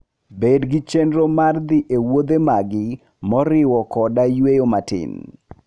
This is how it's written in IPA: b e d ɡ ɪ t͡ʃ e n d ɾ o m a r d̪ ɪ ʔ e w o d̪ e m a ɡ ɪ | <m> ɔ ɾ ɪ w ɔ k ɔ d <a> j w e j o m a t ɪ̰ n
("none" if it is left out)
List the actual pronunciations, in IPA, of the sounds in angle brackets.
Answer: m, a

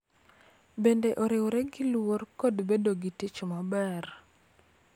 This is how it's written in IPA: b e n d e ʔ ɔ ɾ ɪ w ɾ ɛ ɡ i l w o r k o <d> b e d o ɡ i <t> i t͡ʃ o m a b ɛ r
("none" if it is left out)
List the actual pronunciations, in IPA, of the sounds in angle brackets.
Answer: d, t

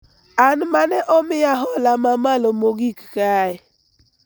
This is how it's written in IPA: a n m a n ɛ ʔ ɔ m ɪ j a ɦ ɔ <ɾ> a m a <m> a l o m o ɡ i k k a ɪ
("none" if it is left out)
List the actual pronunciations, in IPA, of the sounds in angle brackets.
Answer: l, m

